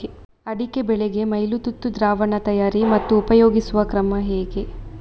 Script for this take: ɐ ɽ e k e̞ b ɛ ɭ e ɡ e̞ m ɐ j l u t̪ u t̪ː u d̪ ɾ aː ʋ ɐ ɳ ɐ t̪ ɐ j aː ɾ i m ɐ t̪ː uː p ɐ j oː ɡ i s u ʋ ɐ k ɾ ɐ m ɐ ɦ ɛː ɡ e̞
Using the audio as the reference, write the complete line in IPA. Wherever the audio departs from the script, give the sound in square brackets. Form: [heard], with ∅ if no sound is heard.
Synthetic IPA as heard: ɐ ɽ [i] k e̞ b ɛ ɭ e ɡ e̞ m ɐ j l u t̪ u t̪ː u d̪ ɾ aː ʋ ɐ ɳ ɐ t̪ ɐ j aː ɾ i m ɐ t̪ː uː p ɐ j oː ɡ i s u ʋ ɐ k ɾ ɐ m ɐ ɦ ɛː ɡ e̞